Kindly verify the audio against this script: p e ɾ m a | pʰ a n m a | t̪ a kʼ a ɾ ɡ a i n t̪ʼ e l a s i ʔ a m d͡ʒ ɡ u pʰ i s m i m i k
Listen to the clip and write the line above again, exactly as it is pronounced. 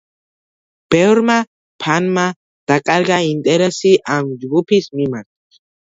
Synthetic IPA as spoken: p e ɾ m a | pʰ a n m a | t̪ a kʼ a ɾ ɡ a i n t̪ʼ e ɾ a s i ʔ a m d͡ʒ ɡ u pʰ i s m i m a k

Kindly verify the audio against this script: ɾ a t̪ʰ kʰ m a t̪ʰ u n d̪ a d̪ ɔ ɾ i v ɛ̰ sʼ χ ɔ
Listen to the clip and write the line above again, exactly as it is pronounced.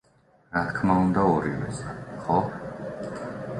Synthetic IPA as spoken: ɾ a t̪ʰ kʰ m a u n d̪ a ɔ ɾ i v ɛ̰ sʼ χ ɔ

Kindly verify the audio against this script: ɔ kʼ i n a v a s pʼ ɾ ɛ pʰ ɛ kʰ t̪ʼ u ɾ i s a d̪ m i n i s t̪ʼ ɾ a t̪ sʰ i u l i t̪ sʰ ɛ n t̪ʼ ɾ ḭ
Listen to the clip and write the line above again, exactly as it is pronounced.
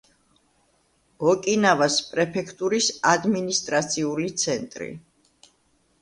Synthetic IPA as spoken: ɔ kʼ i n a v a s pʼ ɾ ɛ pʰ ɛ kʰ t̪ʼ u ɾ i s a d̪ m i n i s t̪ʼ ɾ a t̪ sʰ i u l i t̪ sʰ ɛ n t̪ʼ ɾ ḭ

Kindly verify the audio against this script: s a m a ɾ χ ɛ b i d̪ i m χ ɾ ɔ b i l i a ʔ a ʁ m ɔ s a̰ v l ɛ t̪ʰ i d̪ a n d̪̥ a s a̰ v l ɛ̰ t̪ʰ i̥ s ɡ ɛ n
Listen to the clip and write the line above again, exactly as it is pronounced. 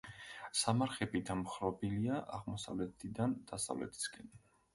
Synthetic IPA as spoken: s a m a ɾ χ ɛ b i d̪ a m χ ɾ ɔ b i l i a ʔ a ʁ m ɔ s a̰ v l ɛ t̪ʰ i d̪ a n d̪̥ a s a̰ v l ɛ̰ t̪ʰ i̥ s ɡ ɛ n

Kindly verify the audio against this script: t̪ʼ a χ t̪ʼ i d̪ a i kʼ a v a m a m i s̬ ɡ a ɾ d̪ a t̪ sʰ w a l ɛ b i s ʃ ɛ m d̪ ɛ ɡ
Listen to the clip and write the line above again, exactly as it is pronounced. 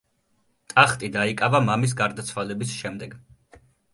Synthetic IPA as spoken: t̪ʼ a χ t̪ʼ i d̪ a i kʼ a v a m a m i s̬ ɡ a ɾ d̪ a t̪ sʰ w a l ɛ b i s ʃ ɛ m d̪ ɛ ɡ

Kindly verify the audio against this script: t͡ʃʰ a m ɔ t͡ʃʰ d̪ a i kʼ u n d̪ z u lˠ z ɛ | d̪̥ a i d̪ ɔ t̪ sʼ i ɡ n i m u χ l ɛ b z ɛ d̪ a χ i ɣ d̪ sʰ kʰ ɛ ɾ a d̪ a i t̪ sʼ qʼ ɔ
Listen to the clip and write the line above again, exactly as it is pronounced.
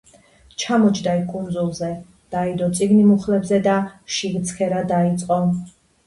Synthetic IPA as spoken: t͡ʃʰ a m ɔ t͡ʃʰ d̪ a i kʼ u n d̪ z u lˠ z ɛ | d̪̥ a i d̪ ɔ t̪ sʼ i ɡ n i m u χ l ɛ b z ɛ d̪ a ʃ i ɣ t̪ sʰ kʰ ɛ ɾ a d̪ a i t̪ sʼ qʼ ɔ

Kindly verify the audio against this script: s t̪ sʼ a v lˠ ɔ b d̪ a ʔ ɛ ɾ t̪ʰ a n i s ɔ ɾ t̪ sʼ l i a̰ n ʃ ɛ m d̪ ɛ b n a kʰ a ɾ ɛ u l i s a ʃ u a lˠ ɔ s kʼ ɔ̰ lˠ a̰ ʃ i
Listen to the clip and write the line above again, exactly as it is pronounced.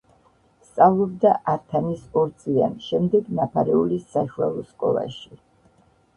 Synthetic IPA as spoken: s t̪ sʼ a v lˠ ɔ b d̪ a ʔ a ɾ t̪ʰ a n i s ɔ ɾ t̪ sʼ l i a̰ n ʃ ɛ m d̪ ɛ ɡ n a pʰ a ɾ ɛ u l i s a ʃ u a lˠ ɔ s kʼ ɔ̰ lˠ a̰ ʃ i

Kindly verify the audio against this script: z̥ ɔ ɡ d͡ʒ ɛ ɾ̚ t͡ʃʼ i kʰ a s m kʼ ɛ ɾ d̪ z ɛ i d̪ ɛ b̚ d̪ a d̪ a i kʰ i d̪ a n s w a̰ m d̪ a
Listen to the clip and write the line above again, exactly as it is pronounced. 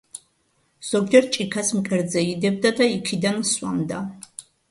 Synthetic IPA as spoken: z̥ ɔ ɡ d͡ʒ ɛ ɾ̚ t͡ʃʼ i kʰ a s m kʼ ɛ ɾ d̪ z ɛ i d̪ ɛ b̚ d̪ a d̪ a i kʰ i d̪ a n s w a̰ m d̪ a

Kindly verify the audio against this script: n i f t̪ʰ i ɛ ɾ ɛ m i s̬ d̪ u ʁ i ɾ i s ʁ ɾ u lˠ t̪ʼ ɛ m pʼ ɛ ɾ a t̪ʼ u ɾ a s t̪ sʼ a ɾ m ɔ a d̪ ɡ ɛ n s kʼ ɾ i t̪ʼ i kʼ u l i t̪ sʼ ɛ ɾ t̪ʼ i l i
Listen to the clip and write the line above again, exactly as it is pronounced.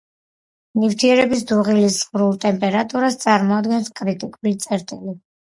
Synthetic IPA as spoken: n i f t̪ʰ i ɛ ɾ ɛ b i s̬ d̪ u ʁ i l i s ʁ ɾ u lˠ t̪ʼ ɛ m pʼ ɛ ɾ a t̪ʼ u ɾ a s t̪ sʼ a ɾ m ɔ a d̪ ɡ ɛ n s kʼ ɾ i t̪ʼ i kʼ u l i t̪ sʼ ɛ ɾ t̪ʼ i l i

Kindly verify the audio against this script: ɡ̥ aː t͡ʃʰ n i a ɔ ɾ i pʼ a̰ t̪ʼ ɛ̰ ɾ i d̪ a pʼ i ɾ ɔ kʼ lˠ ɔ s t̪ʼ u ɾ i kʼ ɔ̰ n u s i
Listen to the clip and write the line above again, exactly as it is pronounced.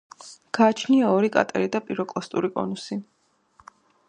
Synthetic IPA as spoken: ɡ̥ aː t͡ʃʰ n i a ɔ ɾ i kʼ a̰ t̪ʼ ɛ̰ ɾ i d̪ a pʼ i ɾ ɔ kʼ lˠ ɔ s t̪ʼ u ɾ i kʼ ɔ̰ n u s i

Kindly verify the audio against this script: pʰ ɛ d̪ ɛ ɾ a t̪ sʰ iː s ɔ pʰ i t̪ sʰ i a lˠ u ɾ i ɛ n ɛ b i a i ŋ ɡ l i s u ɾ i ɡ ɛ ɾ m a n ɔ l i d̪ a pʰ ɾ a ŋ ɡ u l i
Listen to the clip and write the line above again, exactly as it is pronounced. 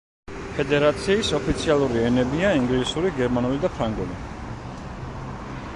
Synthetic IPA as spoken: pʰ ɛ d̪ ɛ ɾ a t̪ sʰ iː s ɔ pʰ i t̪ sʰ i a lˠ u ɾ i ɛ n ɛ b i a i ŋ ɡ l i s u ɾ i ɡ ɛ ɾ m a n u l i d̪ a pʰ ɾ a ŋ ɡ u l i

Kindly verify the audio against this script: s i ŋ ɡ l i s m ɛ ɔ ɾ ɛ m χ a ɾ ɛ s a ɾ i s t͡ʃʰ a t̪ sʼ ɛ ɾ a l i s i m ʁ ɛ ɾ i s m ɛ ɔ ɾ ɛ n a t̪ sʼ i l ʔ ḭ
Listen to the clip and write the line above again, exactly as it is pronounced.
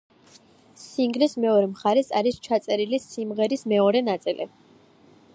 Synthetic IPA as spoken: s i ŋ ɡ l i s m ɛ ɔ ɾ ɛ m χ a ɾ ɛ s a ɾ i s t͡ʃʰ a t̪ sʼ ɛ ɾ i l i s i m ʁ ɛ ɾ i s m ɛ ɔ ɾ ɛ n a t̪ sʼ i l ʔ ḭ

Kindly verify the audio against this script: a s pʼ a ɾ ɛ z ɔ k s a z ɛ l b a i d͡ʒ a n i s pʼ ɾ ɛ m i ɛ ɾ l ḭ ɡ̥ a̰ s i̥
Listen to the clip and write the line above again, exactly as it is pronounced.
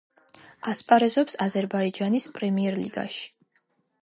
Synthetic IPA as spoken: a s pʼ a ɾ ɛ z ɔ p s a z ɛ ɾ b a i d͡ʒ a n i s pʼ ɾ ɛ m i ɛ ɾ l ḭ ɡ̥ a̰ ʃ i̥

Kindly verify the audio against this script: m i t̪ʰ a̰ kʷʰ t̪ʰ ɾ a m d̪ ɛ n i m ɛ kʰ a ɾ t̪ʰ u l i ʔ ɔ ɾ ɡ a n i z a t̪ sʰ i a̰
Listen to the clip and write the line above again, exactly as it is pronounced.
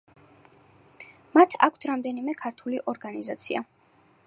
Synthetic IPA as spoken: m a t̪ʰ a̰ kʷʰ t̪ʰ ɾ a m d̪ ɛ n i m ɛ kʰ a ɾ t̪ʰ u l i ʔ ɔ ɾ ɡ a n i z a t̪ sʰ i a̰

